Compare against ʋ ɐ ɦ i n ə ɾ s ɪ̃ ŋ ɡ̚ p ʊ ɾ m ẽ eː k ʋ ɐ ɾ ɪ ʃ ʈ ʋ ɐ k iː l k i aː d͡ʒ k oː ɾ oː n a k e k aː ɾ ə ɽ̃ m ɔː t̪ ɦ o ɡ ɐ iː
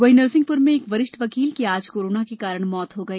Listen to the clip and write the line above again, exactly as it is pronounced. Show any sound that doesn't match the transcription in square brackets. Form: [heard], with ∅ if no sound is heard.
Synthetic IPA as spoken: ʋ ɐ ɦ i n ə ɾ s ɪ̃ ŋ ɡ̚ p ʊ ɾ m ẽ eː k ʋ ɐ ɾ ɪ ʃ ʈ ʋ ɐ k iː l k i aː d͡ʒ k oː ɾ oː n a k e k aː ɾ ə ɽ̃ m ɔː t̪ ɦ o ɡ ɐ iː